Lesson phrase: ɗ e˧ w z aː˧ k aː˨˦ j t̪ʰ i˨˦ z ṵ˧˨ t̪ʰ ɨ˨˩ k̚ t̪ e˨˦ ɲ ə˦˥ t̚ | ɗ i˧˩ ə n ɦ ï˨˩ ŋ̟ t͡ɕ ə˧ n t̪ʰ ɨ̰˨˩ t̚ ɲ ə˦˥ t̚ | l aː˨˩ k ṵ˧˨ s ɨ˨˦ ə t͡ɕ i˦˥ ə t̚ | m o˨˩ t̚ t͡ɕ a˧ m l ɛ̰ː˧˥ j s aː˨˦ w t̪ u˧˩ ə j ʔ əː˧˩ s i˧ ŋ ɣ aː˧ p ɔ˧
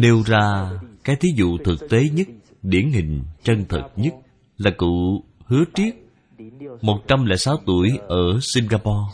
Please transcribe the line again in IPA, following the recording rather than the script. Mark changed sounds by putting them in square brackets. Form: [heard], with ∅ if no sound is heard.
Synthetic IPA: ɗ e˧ w z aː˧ k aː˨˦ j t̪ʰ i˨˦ z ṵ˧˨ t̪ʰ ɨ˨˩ k̚ t̪ e˨˦ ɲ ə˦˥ t̚ | ɗ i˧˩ ə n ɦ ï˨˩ ŋ̟ t͡ɕ ə˧ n t̪ʰ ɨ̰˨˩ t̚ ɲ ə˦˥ t̚ | l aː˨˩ k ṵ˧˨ [h] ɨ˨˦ ə t͡ɕ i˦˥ ə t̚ | m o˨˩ t̚ t͡ɕ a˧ m l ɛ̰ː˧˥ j s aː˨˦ w t̪ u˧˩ ə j ʔ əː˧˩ s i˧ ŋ ɣ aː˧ p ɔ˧